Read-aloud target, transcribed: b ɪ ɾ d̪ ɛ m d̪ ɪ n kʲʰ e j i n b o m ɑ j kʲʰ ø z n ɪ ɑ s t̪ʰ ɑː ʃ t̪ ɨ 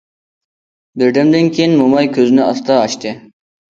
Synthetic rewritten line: b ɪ ɾ d̪ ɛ m d̪ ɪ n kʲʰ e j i n m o m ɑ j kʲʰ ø z n ɪ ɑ s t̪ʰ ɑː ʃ t̪ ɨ